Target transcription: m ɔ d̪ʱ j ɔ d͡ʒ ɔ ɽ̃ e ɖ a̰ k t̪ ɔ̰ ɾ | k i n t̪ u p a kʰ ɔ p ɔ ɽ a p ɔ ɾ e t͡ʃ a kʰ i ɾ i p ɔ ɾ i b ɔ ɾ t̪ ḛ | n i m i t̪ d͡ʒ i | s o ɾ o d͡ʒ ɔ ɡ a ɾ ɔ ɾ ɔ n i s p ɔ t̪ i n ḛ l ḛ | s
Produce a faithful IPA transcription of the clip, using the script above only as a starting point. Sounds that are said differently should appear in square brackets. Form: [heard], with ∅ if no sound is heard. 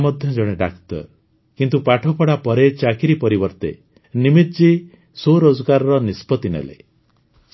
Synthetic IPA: m ɔ d̪ʱ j ɔ d͡ʒ ɔ ɽ̃ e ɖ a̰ k t̪ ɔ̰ ɾ | k i n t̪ u p a [ʈʰ] ɔ p ɔ ɽ a p ɔ ɾ e t͡ʃ a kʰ i ɾ i p ɔ ɾ i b ɔ ɾ t̪ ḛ | n i m i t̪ d͡ʒ i | s o ɾ o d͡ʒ ɔ ɡ a ɾ ɔ ɾ ɔ n i s p ɔ t̪ i n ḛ l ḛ | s